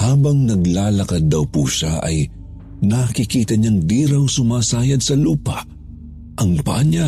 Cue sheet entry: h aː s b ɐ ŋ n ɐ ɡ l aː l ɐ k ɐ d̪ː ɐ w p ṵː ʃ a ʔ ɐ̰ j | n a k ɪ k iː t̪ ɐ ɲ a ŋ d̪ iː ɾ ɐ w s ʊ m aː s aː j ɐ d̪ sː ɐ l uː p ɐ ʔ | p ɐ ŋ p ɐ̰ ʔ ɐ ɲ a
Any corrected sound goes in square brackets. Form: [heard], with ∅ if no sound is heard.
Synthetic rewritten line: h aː [∅] b ɐ ŋ n ɐ ɡ l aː l ɐ k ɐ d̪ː ɐ w p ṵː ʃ a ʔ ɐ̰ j | n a k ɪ k iː t̪ ɐ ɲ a ŋ d̪ iː ɾ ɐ w s ʊ m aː s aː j ɐ d̪ [s] ɐ l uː p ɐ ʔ | [ʔ] ɐ ŋ p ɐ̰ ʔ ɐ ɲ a